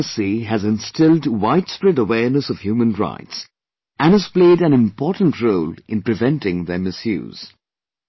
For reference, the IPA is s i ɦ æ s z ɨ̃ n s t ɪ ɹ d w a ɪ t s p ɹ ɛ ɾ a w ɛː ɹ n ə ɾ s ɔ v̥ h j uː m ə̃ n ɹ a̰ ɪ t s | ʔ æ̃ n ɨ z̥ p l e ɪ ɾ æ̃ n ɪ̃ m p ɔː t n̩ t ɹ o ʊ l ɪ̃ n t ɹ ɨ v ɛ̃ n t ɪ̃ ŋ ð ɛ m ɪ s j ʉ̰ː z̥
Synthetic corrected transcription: s i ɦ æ z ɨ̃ n s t ɪ l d w a ɪ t s p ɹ ɛ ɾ ə w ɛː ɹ n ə s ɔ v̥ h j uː m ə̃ n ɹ a̰ ɪ t s | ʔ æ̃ n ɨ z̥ p l e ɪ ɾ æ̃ n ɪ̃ m p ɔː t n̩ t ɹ o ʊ l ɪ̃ n p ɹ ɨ v ɛ̃ n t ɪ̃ ŋ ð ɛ m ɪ s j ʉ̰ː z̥